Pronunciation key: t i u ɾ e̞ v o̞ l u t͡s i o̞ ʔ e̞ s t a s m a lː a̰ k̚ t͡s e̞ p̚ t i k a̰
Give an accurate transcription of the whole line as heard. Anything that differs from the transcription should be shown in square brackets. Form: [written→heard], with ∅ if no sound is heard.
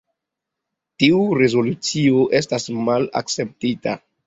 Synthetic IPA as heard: t i u ɾ e̞ [v→z] o̞ l u t͡s i o̞ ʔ e̞ s t a s m a [lː→l] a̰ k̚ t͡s e̞ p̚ t i [k→t] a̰